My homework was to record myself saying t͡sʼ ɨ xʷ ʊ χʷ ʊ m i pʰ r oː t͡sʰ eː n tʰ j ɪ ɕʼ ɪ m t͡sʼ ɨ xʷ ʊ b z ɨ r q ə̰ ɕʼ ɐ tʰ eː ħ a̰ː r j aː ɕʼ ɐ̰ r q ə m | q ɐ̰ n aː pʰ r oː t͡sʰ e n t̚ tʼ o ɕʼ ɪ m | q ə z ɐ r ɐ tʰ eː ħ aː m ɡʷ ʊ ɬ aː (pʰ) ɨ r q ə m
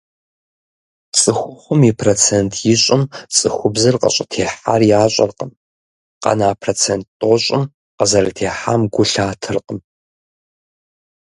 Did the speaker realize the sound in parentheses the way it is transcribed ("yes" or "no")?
no